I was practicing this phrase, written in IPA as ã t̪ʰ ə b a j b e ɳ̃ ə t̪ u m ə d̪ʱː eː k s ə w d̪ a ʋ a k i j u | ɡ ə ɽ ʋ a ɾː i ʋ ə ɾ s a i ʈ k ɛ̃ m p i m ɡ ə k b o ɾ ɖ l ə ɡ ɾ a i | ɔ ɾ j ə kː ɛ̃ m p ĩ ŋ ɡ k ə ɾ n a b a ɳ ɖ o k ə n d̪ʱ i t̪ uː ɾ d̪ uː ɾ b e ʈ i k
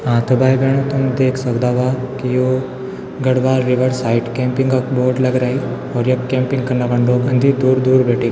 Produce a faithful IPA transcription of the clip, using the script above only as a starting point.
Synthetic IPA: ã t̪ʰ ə b a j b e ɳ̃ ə t̪ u m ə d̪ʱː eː k s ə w d̪ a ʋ a k i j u | ɡ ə ɽ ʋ a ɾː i ʋ ə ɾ s a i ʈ k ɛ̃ m p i ŋ ɡ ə k b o ɾ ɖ l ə ɡ ɾ a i | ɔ ɾ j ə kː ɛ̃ m p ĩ ŋ ɡ k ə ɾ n a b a ɳ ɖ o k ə n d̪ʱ i d̪ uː ɾ d̪ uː ɾ b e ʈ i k